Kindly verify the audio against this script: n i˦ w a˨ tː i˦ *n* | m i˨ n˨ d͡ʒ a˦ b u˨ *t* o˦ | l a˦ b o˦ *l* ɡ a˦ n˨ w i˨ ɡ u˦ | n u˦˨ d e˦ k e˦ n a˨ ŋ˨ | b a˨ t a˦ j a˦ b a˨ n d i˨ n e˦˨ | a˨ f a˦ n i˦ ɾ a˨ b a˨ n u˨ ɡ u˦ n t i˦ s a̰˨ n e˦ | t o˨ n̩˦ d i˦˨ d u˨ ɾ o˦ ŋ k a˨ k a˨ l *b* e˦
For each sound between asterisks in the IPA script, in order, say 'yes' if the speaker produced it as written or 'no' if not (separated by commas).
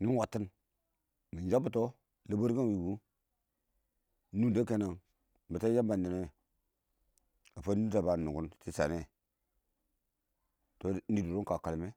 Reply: yes, yes, no, no